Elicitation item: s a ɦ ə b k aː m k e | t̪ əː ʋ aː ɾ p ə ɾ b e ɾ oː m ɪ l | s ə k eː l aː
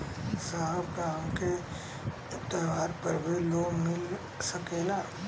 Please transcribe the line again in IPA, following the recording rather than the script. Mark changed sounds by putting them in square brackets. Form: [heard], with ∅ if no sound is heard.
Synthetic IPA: s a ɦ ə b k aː m k e | t̪ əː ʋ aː ɾ p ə ɾ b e [l] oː m ɪ l | s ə k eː l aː